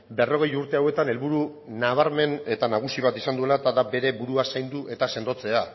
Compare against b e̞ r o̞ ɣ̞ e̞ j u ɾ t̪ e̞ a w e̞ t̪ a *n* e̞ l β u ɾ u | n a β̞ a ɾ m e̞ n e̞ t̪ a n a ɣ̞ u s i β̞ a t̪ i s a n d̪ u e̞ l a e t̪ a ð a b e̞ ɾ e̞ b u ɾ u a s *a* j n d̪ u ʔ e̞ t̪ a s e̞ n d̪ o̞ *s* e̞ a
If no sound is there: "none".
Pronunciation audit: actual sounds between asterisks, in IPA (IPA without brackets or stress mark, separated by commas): n, a, t͡s